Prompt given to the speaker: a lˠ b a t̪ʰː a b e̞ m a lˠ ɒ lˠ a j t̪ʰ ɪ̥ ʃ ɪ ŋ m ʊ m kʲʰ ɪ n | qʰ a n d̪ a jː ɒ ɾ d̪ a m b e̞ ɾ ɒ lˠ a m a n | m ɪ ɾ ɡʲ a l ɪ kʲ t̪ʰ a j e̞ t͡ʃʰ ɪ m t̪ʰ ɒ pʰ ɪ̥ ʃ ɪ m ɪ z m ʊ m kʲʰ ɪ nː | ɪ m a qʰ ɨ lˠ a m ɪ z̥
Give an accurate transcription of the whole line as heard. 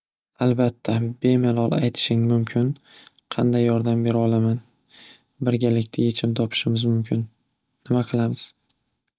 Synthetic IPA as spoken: a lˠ b a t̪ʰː a b e̞ m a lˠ ɒ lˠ a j t̪ʰ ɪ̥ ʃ ɪ ŋ m ʊ m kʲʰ ɪ n | qʰ ɑ n d̪ a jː ɒ ɾ d̪ a m b e̞ ɾ ɒ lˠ a m a n | b ɪ ɾ ɡʲ a l ɪ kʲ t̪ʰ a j e̞ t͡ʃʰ ɪ m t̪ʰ ɒ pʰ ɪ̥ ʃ ɪ m ɪ z m ʊ m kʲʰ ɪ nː | ɪ m a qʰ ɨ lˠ a m ɪ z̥